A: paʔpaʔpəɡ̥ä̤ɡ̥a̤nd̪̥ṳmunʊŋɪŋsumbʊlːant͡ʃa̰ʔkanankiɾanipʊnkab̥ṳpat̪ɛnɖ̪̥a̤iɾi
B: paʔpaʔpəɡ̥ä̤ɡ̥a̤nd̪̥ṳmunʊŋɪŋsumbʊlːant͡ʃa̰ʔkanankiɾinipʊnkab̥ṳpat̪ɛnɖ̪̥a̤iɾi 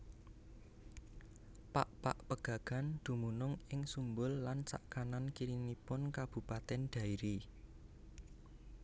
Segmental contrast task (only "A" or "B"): B